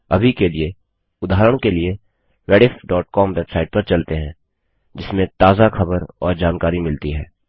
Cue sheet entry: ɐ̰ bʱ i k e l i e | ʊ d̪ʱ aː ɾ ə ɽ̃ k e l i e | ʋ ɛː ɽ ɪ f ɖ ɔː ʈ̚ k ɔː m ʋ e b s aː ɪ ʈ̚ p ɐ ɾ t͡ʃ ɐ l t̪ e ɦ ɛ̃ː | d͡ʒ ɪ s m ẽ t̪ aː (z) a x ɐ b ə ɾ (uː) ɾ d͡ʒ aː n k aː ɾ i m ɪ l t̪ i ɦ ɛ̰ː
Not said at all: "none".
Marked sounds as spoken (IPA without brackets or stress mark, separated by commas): z, ɔː